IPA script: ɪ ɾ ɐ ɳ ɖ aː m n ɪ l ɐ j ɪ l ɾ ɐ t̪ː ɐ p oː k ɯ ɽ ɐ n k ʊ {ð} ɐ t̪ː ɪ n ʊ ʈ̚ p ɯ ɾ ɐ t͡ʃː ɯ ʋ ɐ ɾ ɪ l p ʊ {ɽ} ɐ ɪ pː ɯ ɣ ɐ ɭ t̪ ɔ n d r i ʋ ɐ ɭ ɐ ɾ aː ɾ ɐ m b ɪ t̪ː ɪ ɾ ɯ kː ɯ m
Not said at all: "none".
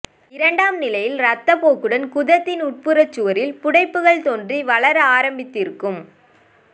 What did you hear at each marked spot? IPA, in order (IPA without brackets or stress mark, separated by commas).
ð, ɽ